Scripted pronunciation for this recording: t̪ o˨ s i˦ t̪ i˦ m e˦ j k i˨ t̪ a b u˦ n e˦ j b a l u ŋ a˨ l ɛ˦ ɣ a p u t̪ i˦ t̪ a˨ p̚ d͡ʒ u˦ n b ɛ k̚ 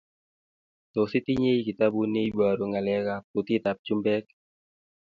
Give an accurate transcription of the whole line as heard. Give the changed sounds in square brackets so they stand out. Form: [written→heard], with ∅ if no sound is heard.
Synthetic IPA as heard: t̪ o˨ s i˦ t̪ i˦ [m→ɲ] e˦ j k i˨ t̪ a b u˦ n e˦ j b a [l→ɾ] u ŋ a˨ l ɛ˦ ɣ a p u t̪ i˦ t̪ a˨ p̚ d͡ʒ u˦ [n→m] b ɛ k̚